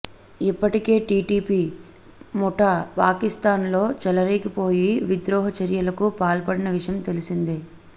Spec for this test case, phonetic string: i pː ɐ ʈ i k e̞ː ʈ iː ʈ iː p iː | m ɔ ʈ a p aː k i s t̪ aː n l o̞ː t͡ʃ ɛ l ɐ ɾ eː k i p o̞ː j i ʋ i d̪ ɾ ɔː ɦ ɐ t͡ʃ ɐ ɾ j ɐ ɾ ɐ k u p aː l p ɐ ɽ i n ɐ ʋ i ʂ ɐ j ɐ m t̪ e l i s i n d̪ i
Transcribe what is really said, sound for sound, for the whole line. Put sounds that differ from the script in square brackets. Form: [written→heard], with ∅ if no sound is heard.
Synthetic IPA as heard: i pː ɐ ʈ i k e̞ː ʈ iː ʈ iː p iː | m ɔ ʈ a p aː k i s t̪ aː n l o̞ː t͡ʃ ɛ l ɐ ɾ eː k i p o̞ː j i ʋ i d̪ ɾ ɔː ɦ ɐ t͡ʃ ɐ ɾ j ɐ [ɾ→l] ɐ k u p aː l p ɐ ɽ i n ɐ ʋ i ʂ ɐ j ɐ m t̪ e l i s i n d̪ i